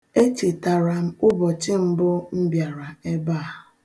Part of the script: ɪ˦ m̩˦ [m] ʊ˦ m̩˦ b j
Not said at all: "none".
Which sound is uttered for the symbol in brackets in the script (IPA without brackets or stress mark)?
b